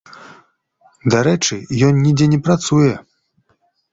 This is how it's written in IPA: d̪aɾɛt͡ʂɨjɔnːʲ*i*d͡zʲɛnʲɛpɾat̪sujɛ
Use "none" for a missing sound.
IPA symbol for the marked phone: i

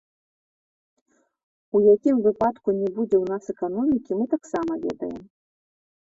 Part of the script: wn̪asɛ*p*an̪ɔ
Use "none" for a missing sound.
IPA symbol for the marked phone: k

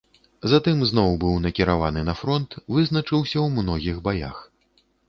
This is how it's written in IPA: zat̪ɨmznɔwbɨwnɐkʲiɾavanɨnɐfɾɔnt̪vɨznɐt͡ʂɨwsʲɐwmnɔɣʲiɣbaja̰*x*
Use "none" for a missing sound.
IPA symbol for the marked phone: x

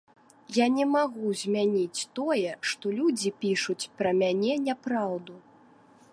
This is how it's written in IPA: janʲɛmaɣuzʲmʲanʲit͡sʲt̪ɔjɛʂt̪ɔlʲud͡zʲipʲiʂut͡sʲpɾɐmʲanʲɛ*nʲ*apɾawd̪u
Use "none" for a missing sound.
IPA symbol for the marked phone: nʲ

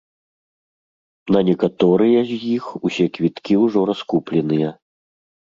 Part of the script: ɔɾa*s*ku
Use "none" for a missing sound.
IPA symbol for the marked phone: s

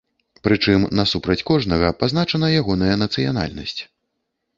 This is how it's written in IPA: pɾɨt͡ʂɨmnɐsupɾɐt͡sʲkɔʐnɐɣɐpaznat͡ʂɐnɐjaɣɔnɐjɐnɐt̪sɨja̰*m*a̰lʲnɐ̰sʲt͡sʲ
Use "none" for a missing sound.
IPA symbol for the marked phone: n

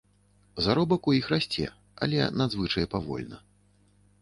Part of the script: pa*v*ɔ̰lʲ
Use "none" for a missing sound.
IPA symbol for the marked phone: v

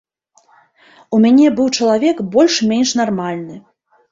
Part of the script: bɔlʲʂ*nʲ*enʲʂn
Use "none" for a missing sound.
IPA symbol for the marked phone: mʲ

